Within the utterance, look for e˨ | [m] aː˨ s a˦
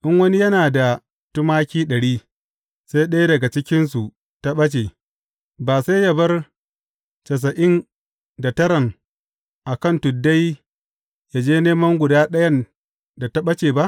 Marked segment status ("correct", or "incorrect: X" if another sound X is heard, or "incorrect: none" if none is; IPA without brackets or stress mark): incorrect: b